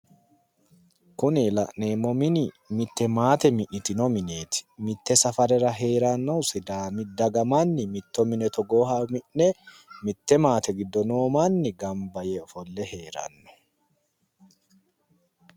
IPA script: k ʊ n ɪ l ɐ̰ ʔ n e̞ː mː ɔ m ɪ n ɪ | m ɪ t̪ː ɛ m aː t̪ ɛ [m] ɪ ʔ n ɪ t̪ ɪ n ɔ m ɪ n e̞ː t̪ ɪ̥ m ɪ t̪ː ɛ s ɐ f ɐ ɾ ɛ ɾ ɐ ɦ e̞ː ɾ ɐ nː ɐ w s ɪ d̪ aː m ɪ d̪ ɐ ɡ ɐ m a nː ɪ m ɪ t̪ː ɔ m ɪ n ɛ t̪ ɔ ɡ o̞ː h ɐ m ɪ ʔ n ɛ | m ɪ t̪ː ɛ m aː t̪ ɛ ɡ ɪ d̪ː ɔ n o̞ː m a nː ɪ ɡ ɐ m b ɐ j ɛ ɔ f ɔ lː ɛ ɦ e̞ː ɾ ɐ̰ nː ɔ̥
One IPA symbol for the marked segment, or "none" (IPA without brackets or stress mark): m